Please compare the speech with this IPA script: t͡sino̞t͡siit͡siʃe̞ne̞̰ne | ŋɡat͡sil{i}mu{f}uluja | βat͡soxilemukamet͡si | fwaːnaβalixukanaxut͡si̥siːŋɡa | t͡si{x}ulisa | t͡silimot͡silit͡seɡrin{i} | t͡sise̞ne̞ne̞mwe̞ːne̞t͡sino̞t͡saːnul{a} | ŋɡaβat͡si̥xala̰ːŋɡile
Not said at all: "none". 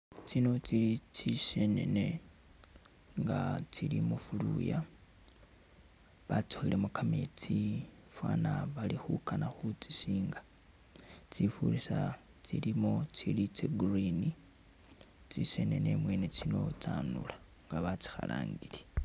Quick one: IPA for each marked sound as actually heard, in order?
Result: i, f, f, i, a

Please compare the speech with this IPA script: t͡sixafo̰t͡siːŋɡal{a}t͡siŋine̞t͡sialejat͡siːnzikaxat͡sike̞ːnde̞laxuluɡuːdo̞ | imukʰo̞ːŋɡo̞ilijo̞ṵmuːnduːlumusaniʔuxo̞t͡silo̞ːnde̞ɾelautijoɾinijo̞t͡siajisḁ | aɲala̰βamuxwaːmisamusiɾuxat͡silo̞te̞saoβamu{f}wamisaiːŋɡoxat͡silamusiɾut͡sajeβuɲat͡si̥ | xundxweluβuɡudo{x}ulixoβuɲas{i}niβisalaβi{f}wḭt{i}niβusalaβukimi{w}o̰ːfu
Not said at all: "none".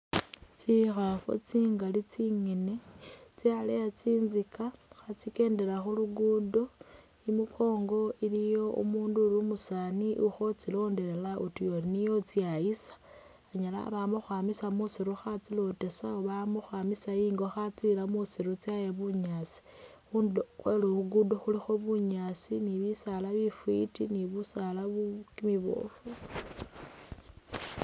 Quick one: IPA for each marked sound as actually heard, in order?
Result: i, x, x, i, f, i, β

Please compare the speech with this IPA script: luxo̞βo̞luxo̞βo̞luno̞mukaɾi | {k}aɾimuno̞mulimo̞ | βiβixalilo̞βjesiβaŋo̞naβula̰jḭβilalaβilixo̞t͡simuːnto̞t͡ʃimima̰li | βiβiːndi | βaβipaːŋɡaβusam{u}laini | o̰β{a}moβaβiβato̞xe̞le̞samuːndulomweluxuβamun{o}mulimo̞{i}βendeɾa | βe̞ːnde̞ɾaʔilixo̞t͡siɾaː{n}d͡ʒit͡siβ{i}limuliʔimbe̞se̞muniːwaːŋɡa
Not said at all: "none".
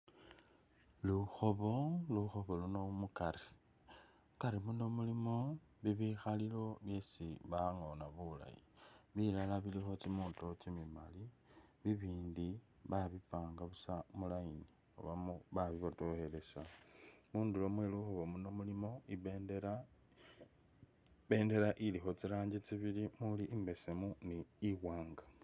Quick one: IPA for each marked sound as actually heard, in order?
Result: k, u, a, o, i, ɲ, i

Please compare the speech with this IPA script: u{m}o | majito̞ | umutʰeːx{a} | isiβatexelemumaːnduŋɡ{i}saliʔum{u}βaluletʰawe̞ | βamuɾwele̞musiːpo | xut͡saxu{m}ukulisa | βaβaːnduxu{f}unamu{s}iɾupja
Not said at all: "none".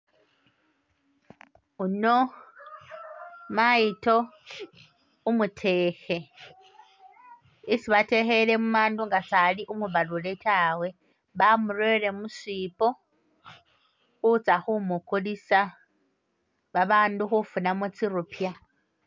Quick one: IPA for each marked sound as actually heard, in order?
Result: n, e, a, u, m, f, t͡s

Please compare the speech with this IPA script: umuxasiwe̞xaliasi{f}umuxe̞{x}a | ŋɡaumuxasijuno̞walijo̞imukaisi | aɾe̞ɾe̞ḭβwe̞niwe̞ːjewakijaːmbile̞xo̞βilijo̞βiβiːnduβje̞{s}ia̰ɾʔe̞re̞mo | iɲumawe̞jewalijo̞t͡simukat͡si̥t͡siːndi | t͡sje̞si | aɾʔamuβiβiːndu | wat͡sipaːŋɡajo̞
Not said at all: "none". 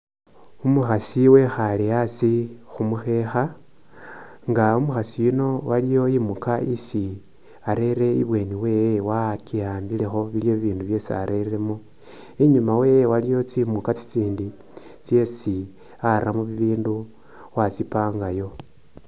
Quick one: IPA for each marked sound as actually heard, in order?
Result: x, x, s

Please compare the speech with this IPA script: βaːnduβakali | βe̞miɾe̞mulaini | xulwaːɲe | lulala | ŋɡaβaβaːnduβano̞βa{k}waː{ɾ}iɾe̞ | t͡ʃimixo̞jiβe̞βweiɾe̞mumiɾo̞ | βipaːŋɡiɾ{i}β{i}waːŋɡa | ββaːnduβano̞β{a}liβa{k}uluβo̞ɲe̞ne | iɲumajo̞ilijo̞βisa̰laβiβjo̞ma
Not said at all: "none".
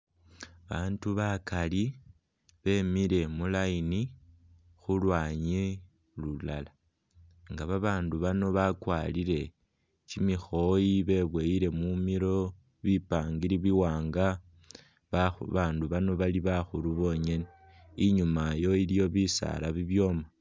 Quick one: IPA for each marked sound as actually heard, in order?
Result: k, l, i, i, a, x

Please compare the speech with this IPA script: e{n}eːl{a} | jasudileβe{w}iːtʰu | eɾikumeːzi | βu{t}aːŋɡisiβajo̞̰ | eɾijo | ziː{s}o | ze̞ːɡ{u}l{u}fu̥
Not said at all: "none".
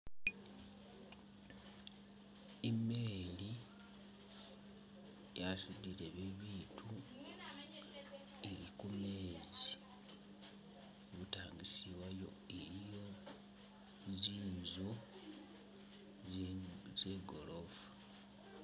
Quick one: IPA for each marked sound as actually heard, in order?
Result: m, i, β, t, z, o, o

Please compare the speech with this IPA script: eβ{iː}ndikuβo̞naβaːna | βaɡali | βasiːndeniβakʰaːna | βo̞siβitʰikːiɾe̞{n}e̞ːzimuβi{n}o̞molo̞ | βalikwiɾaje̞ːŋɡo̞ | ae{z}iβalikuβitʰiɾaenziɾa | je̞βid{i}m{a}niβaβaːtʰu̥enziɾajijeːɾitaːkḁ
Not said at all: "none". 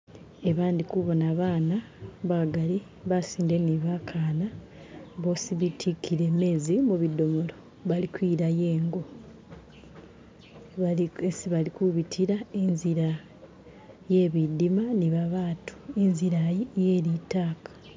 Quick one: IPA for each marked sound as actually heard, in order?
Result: aː, m, d, s, i, a

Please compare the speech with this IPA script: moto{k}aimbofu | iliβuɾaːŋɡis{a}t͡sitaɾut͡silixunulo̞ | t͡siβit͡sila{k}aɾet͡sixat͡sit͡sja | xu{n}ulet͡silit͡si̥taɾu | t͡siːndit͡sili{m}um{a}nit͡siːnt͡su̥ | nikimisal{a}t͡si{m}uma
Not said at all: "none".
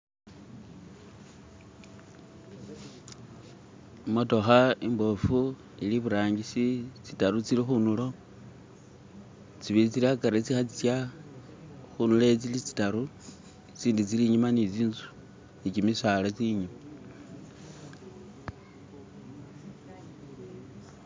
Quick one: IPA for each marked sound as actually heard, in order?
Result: x, i, k, n, ɲ, a, a, ɲ

